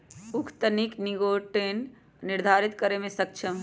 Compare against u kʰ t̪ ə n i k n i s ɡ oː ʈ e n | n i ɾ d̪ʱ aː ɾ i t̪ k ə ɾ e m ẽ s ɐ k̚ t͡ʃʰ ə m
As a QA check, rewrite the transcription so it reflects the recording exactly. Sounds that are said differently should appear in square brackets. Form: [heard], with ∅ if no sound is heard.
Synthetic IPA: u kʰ t̪ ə n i k n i [∅] ɡ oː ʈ e n | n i ɾ d̪ʱ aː ɾ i t̪ k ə ɾ e m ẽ s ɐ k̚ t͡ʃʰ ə m